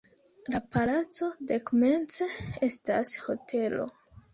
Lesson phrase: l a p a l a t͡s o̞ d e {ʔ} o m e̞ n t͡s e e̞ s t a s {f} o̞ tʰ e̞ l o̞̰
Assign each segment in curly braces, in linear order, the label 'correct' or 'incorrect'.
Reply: incorrect, incorrect

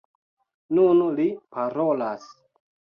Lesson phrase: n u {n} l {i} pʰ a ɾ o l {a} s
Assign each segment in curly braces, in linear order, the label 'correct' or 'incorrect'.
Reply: correct, correct, correct

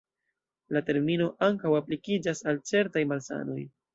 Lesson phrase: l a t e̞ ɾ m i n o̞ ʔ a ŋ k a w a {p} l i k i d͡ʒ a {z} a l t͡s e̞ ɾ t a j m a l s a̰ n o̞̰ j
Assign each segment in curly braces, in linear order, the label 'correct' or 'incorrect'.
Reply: correct, incorrect

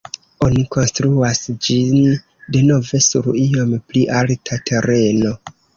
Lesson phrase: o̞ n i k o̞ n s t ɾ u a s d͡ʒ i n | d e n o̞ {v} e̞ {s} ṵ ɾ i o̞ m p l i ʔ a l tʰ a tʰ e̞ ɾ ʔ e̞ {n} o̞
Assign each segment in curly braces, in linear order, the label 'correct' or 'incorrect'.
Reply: correct, correct, correct

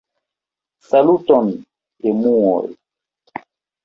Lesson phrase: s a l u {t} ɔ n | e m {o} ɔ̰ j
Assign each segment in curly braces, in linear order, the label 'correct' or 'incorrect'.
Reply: correct, incorrect

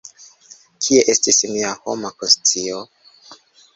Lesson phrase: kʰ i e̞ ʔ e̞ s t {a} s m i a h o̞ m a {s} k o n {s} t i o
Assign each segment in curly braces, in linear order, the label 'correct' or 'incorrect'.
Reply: incorrect, incorrect, correct

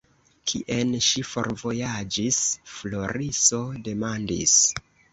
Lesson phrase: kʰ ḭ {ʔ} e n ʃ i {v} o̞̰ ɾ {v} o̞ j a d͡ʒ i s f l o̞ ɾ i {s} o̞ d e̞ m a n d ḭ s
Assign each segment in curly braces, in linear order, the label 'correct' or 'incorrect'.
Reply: correct, incorrect, correct, correct

